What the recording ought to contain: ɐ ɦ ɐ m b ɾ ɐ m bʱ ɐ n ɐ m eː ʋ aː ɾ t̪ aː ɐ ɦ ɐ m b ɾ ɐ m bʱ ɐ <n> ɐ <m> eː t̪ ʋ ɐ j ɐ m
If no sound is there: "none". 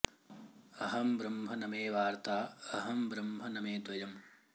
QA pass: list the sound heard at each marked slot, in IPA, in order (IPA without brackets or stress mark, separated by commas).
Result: n, m